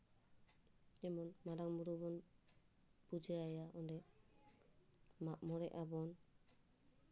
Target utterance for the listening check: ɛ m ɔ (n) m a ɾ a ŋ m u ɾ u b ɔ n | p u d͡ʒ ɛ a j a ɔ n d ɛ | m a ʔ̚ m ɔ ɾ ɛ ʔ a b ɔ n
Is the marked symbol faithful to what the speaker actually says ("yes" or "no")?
yes